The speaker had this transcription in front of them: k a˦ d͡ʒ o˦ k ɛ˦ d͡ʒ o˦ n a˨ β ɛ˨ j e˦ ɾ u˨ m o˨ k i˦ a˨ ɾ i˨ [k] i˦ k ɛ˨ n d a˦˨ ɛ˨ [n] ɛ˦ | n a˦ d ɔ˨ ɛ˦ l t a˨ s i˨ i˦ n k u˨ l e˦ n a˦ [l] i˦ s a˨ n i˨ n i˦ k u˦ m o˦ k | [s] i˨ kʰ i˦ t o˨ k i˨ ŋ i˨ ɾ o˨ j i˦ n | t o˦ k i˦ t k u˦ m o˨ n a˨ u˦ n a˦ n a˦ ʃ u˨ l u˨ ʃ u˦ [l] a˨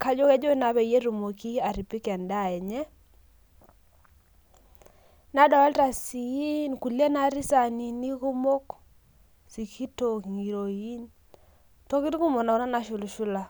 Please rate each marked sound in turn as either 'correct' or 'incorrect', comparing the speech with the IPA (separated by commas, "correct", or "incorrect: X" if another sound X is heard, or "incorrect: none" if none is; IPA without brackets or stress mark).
incorrect: p, incorrect: ɲ, incorrect: ɾ, correct, correct